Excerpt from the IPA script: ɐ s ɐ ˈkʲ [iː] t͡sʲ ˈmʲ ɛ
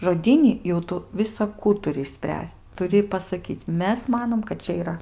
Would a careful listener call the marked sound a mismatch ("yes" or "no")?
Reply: no